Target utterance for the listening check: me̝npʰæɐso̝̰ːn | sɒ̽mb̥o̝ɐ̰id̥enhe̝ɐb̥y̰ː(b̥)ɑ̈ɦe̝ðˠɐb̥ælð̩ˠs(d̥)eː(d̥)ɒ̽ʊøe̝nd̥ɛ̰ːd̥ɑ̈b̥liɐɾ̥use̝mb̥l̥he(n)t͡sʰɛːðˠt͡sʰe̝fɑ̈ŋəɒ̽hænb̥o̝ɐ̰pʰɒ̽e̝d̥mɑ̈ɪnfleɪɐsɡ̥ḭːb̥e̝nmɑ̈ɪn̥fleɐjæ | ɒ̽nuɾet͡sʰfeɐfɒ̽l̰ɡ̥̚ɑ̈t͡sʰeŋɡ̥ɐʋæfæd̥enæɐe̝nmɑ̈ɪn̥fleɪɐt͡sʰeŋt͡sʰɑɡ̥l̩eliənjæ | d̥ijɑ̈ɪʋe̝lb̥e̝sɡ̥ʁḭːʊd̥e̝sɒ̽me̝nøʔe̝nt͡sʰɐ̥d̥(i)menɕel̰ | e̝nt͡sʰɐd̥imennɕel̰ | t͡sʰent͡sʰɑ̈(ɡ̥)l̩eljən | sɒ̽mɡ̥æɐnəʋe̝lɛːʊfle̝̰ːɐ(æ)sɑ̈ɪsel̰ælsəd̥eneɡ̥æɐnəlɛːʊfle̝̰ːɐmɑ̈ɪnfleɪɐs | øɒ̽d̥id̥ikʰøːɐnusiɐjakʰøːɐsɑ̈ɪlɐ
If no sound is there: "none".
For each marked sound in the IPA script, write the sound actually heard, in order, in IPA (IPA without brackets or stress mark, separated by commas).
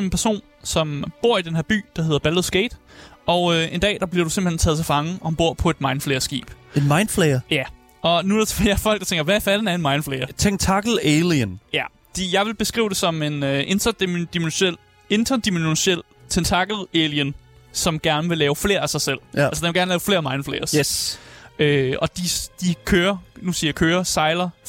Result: d̥, ɡ̥, d̥, n, i, ɡ̥, æ